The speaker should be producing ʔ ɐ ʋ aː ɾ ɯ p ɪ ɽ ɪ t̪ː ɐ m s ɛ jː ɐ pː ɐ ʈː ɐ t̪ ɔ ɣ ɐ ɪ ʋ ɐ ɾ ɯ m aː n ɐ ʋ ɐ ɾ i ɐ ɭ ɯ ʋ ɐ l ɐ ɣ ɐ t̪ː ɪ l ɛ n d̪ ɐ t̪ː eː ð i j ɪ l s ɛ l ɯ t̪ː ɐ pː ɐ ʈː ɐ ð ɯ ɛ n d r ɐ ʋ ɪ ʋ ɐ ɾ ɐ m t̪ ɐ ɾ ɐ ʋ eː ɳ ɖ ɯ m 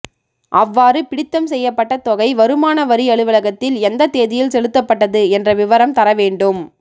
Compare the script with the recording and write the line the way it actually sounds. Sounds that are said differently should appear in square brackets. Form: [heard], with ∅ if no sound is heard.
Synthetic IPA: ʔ ɐ [ʋː] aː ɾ ɯ p ɪ ɽ ɪ t̪ː ɐ m s ɛ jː ɐ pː ɐ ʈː ɐ t̪ ɔ ɣ ɐ ɪ ʋ ɐ ɾ ɯ m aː n ɐ ʋ ɐ ɾ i ɐ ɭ ɯ ʋ ɐ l ɐ ɣ ɐ t̪ː ɪ l ɛ n d̪ ɐ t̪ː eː ð [ɪ] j ɪ l s ɛ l ɯ t̪ː ɐ pː ɐ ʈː ɐ ð ɯ ɛ n d r ɐ ʋ ɪ ʋ ɐ ɾ ɐ m t̪ ɐ ɾ ɐ ʋ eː ɳ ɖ ɯ m